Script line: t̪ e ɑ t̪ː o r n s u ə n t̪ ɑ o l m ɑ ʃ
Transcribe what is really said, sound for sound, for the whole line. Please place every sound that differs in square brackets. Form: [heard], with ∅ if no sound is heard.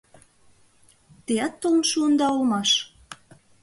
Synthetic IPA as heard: t̪ e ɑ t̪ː o [l] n [ʃ] u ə n [d̪] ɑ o l m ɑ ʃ